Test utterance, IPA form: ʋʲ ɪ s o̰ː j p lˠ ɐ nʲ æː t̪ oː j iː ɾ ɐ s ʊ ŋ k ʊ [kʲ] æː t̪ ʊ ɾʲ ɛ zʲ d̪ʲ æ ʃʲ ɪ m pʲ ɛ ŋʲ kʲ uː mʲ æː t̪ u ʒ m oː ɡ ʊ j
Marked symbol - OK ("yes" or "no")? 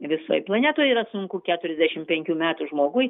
yes